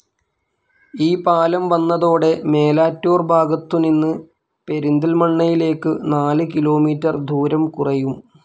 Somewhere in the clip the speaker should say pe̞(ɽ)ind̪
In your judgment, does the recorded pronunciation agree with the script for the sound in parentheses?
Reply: no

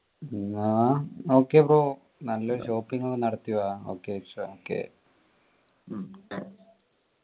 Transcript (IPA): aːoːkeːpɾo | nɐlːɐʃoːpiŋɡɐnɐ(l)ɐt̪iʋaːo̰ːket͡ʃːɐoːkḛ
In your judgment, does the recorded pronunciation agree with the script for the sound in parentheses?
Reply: no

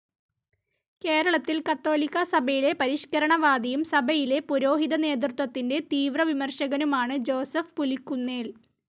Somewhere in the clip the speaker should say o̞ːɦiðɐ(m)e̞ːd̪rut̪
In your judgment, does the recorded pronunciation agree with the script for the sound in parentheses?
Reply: no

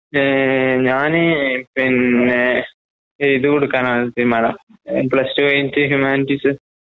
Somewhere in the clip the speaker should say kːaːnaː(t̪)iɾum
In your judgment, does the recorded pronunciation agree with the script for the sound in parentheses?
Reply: yes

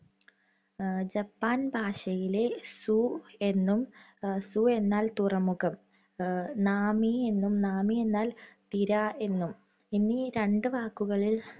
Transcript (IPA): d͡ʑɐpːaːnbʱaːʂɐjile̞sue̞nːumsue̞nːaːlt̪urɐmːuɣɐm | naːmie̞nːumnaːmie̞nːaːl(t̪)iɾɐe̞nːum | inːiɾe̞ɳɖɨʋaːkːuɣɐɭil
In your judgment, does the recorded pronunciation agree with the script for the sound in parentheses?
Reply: yes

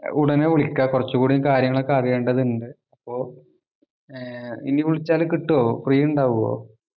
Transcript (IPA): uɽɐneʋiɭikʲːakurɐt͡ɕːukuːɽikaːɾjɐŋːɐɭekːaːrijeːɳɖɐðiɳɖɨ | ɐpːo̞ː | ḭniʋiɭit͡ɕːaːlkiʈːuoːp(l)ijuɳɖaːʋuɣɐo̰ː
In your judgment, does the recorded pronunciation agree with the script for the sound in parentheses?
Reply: no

